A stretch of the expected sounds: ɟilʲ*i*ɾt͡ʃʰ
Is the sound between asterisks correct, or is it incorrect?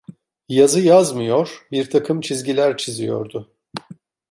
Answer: incorrect